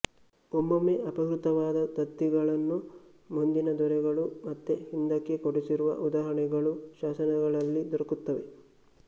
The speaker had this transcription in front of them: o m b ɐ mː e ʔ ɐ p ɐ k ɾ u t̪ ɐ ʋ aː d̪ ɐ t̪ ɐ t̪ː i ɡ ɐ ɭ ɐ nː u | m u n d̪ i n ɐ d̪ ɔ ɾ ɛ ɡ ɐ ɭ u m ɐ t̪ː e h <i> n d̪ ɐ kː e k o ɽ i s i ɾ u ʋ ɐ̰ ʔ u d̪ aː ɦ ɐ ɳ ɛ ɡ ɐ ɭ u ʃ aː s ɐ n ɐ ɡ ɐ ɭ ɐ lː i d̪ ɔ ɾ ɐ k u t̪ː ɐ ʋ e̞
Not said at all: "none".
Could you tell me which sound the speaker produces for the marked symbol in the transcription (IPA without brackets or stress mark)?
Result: i